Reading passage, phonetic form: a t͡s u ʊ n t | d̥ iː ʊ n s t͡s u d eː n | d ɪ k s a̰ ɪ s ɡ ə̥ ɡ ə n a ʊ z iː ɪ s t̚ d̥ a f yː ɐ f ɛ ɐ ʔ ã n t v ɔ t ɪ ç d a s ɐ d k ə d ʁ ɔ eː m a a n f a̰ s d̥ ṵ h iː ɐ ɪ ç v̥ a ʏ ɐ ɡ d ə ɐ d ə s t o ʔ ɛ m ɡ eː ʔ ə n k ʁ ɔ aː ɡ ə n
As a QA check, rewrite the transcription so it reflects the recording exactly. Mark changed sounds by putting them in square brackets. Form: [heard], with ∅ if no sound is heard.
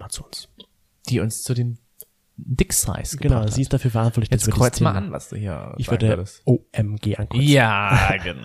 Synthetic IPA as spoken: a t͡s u ʊ n [s] | d̥ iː ʊ n s t͡s u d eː n | d ɪ k s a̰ ɪ s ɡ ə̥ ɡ ə n a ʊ z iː ɪ s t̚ d̥ a f yː ɐ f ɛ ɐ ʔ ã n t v ɔ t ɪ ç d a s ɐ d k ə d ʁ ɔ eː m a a n [v] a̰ s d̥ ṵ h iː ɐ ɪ ç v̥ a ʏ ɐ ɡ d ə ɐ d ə s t o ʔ ɛ m ɡ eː ʔ [a] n k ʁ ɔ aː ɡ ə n